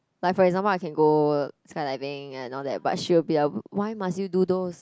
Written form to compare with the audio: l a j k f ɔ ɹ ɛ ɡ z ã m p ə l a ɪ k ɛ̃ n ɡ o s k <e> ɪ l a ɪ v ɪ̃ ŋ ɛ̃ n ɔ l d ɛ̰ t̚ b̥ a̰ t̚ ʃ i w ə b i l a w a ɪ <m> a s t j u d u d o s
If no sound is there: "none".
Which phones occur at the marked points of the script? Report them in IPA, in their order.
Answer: a, m

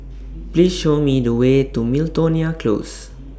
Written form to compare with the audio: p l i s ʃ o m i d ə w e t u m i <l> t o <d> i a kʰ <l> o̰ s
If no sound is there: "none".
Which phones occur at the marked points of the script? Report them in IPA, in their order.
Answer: l, n, l

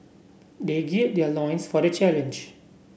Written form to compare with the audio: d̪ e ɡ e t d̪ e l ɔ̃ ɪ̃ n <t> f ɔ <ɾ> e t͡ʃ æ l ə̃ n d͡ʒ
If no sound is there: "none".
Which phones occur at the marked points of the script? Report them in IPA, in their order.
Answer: s, ɾ

